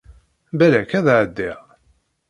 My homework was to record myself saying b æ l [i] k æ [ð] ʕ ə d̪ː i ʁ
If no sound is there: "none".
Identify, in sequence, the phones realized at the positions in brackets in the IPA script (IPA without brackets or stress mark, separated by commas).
æ, ð